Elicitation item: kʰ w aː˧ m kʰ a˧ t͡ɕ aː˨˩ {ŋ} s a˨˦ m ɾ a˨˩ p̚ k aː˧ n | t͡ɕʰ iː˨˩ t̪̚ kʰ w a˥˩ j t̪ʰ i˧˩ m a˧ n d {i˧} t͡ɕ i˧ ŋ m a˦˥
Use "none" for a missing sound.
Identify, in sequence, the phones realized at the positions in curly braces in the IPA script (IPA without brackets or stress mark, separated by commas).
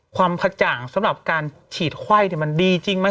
ŋ, iː˧